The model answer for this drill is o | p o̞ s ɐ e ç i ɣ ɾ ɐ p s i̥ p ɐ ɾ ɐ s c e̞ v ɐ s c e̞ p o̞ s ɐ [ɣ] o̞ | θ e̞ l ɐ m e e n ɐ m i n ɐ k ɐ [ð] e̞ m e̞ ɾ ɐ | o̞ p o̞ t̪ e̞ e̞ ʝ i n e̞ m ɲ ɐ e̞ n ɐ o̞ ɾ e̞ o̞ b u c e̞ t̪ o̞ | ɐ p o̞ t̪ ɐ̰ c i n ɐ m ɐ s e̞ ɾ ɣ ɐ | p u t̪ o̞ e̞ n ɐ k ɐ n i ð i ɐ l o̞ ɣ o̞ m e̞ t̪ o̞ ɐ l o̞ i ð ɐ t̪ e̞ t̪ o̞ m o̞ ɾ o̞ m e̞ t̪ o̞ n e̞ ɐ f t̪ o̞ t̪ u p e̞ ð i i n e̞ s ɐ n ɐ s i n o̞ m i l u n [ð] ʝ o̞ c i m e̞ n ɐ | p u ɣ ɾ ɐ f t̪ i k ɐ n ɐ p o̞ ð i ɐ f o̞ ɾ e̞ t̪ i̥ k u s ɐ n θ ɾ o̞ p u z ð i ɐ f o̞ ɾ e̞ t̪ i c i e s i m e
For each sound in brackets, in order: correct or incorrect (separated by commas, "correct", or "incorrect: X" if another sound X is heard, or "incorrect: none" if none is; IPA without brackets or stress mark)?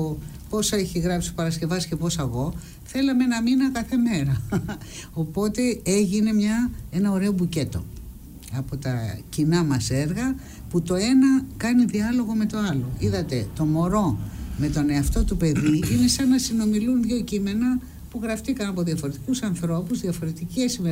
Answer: correct, incorrect: θ, correct